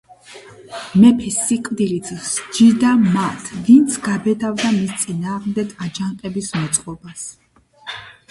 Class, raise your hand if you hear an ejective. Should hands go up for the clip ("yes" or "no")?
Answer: yes